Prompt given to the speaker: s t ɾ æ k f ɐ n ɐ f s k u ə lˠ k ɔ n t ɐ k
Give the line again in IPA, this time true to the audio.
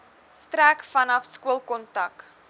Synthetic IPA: s t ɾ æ k f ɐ n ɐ f s k u ə lˠ k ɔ n t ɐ k